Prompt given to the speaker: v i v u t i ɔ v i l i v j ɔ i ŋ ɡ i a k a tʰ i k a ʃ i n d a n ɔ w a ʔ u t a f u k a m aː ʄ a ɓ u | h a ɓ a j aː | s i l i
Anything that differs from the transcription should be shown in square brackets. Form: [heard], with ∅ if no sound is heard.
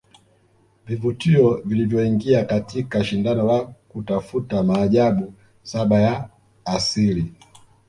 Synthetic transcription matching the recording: v i v u t i ɔ v i l i v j ɔ i ŋ ɡ i a k a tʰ i k a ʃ i n d a n ɔ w a [k] u t a f u [t] a m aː ʄ a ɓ u | [s] a ɓ a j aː | s i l i